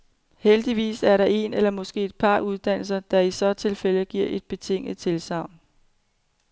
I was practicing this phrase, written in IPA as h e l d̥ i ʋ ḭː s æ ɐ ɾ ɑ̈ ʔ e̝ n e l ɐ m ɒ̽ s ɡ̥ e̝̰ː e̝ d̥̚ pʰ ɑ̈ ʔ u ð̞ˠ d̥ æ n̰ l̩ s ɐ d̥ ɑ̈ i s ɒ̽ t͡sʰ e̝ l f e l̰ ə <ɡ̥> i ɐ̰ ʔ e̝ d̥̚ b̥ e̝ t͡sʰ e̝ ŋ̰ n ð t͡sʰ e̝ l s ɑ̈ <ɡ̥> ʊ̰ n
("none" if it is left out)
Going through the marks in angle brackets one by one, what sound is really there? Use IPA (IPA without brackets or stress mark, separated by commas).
ɡ̥, none